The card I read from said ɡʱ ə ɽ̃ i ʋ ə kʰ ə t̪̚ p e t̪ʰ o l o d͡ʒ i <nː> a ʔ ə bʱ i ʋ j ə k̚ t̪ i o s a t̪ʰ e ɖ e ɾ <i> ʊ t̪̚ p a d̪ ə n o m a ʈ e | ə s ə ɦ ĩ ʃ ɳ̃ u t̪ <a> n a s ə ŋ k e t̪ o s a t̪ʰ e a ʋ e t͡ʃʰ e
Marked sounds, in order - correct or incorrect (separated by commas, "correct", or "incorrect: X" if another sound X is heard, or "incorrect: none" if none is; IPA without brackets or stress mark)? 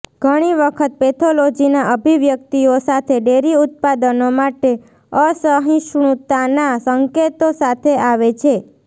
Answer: incorrect: n, correct, correct